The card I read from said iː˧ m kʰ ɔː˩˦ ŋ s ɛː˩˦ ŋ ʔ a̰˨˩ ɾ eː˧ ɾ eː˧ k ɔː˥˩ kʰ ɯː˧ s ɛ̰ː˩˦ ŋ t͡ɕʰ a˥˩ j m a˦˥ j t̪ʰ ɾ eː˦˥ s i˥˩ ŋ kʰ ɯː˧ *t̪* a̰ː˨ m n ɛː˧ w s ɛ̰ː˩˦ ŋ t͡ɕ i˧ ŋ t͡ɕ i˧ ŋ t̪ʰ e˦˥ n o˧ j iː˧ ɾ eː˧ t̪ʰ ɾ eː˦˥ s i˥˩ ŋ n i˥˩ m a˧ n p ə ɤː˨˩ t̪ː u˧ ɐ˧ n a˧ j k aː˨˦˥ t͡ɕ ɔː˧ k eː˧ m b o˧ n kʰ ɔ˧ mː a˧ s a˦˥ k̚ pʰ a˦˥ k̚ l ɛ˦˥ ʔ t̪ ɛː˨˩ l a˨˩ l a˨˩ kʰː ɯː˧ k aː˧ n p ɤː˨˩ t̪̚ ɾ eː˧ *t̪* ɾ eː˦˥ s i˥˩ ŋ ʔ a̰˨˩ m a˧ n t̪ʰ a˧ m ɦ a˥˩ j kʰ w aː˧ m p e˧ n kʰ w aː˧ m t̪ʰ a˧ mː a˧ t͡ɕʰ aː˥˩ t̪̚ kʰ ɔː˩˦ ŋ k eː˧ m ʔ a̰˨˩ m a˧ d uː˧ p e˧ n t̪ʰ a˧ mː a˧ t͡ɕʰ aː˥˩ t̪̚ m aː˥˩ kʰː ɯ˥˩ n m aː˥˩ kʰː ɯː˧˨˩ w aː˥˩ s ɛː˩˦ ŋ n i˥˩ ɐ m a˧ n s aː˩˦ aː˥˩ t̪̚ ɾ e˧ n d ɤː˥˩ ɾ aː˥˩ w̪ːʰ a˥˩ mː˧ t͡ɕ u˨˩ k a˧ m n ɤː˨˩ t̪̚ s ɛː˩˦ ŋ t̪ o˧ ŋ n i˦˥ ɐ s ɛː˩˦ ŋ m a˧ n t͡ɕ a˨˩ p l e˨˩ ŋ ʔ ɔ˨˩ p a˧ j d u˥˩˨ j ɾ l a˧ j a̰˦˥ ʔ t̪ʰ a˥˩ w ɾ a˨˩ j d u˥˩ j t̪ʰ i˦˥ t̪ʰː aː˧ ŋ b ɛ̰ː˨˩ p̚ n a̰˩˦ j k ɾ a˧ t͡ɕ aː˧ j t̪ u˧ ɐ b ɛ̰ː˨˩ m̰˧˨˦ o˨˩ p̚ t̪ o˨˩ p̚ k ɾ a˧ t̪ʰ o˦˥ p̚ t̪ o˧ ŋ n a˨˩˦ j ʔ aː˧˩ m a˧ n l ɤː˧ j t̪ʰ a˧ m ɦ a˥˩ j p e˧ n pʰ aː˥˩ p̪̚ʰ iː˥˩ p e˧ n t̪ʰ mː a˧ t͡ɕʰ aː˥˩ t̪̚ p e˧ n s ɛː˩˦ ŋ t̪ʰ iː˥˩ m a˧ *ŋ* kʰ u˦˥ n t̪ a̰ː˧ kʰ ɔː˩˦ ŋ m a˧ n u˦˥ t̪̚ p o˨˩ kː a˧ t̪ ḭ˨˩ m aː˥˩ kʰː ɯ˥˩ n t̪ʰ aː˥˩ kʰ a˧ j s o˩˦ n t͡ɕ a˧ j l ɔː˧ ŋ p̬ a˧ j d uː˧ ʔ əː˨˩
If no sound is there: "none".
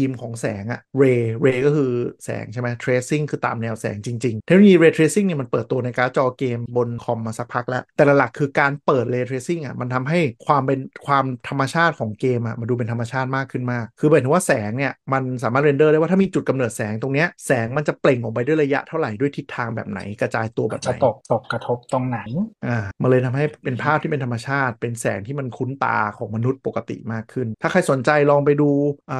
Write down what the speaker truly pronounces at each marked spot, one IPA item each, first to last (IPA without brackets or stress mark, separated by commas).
t̪, t̪ʰ, n